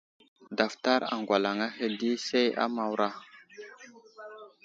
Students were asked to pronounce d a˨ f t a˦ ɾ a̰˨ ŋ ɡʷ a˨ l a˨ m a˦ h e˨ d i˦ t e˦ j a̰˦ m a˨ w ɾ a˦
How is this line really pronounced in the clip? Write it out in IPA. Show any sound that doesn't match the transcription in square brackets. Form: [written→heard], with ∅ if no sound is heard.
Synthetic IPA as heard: d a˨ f t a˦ ɾ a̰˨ ŋ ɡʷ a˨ l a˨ [m→ŋ] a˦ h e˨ d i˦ [t→s] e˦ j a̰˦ m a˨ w ɾ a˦

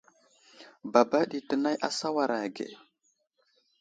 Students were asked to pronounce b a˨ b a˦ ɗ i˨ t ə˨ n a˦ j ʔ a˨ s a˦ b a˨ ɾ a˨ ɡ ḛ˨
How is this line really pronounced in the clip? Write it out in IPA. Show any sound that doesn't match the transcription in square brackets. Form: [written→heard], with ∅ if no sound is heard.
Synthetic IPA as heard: b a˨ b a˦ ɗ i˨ t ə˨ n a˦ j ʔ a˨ s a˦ [b→w] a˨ ɾ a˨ ɡ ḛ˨

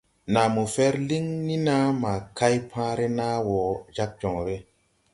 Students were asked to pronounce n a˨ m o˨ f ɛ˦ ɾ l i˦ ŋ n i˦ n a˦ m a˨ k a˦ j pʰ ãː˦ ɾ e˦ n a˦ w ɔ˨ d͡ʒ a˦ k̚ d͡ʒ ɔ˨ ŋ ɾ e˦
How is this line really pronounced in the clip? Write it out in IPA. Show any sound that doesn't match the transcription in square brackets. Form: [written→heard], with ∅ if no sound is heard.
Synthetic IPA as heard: n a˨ m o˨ f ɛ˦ ɾ l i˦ ŋ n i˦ n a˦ m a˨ k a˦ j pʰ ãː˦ ɾ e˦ n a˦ w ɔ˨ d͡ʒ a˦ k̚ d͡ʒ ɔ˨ ŋ ɾ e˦

